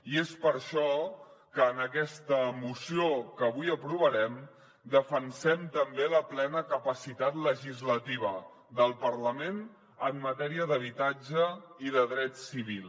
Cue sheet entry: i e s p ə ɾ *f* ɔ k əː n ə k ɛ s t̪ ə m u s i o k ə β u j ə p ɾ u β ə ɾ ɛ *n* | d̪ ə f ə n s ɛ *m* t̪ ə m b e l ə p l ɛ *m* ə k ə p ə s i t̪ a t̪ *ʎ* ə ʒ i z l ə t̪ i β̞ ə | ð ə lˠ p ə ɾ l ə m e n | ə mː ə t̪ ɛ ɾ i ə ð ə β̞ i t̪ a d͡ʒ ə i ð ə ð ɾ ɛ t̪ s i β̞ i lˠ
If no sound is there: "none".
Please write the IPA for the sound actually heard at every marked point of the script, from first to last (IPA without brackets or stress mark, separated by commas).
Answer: ʃ, m, m, n, l